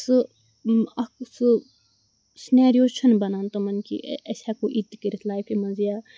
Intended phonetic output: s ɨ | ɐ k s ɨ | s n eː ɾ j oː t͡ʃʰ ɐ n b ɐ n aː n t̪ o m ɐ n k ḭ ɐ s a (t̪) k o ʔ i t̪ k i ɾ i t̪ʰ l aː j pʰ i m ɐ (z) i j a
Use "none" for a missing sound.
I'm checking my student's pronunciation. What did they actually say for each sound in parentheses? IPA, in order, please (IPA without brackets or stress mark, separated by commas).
none, z